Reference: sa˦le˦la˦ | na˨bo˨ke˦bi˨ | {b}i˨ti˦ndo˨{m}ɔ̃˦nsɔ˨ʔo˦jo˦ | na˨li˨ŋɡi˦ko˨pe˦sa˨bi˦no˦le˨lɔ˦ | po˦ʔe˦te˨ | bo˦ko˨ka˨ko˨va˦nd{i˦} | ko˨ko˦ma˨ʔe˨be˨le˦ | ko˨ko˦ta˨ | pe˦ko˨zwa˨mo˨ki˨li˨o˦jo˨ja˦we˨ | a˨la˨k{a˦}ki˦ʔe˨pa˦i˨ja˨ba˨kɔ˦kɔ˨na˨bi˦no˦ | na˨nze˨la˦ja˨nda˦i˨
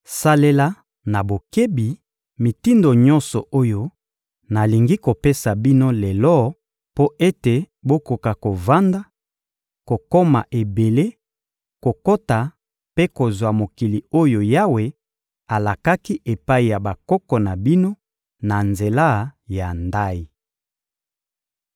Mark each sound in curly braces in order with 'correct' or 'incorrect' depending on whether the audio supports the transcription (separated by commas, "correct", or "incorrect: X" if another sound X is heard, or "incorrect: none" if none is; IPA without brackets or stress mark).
incorrect: m, incorrect: ɲ, incorrect: a˦, correct